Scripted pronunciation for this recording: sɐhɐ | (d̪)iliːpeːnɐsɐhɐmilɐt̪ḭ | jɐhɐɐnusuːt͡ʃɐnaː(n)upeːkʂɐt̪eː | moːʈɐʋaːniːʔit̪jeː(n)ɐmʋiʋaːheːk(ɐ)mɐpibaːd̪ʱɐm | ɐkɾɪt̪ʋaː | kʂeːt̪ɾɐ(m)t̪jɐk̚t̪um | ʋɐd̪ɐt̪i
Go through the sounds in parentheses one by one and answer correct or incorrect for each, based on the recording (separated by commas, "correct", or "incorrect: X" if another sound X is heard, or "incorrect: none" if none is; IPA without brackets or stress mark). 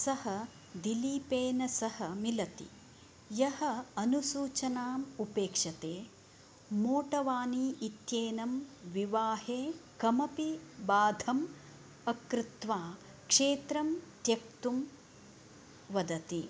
correct, incorrect: m, correct, correct, correct